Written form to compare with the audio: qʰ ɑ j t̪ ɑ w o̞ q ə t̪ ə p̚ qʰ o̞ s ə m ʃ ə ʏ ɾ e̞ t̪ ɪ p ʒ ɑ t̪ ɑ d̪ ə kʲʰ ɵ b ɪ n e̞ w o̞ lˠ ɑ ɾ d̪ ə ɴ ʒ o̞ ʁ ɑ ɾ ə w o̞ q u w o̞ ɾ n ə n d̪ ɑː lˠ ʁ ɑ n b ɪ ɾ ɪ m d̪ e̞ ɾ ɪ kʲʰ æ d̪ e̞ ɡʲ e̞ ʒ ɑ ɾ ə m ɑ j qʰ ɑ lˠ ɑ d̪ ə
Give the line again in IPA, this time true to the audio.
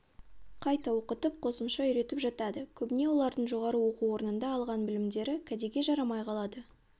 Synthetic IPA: qʰ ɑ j t̪ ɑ w o̞ q ə t̪ ə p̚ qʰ o̞ s ə m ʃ ɑ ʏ ɾ e̞ t̪ ɪ p ʒ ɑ t̪ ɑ d̪ ə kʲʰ ɵ b ɪ n e̞ w o̞ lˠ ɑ ɾ d̪ ə ɴ ʒ o̞ ʁ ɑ ɾ ə w o̞ q u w o̞ ɾ n ə n d̪ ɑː lˠ ʁ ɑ n b ɪ l ɪ m d̪ e̞ ɾ ɪ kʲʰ æ d̪ e̞ ɡʲ e̞ ʒ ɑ ɾ ɑ m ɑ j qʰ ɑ lˠ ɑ d̪ ə